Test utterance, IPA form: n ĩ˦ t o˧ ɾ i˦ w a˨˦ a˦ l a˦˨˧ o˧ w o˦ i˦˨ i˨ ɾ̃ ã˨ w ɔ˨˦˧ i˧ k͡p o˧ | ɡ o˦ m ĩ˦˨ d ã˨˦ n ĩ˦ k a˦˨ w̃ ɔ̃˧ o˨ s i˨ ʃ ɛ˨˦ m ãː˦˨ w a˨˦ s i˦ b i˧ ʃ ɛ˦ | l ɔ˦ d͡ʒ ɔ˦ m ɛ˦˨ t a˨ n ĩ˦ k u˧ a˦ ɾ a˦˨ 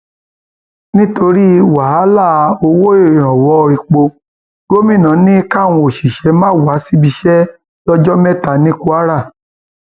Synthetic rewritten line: n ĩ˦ t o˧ ɾ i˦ w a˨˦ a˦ l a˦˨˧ o˧ w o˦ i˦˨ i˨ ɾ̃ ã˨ w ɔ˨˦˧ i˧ k͡p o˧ | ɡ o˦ m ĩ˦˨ n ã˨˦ n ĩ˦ k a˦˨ w̃ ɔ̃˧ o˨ ʃ i˨ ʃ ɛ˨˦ m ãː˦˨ w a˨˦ s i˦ b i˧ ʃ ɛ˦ | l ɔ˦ d͡ʒ ɔ˦ m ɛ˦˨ t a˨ n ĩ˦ k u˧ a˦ ɾ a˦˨